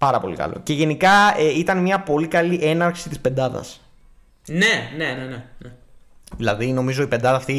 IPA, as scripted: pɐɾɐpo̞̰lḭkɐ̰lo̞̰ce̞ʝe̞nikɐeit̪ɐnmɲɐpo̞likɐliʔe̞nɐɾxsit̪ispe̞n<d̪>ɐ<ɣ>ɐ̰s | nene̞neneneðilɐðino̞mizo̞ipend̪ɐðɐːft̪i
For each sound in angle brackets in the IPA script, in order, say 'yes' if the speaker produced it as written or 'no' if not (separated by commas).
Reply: yes, no